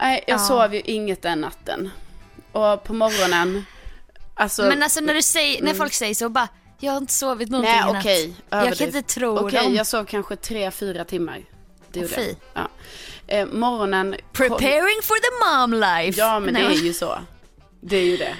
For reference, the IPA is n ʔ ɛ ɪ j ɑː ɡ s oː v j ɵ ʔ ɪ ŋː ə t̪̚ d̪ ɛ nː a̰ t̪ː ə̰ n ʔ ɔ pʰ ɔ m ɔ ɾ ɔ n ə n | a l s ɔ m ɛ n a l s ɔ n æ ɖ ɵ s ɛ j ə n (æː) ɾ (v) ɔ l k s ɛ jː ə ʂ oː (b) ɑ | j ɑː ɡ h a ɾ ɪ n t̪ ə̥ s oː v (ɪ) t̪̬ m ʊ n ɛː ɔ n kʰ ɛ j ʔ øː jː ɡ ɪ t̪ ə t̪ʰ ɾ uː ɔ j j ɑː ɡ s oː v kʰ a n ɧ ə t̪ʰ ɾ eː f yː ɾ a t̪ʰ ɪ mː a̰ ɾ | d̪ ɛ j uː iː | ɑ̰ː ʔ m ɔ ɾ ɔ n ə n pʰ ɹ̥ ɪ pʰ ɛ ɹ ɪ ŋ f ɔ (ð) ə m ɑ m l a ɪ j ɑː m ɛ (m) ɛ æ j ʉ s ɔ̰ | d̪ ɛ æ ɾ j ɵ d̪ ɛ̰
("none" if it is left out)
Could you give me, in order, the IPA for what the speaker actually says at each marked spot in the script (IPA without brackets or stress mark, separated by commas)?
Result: æ, f, b, ɪ, ð, n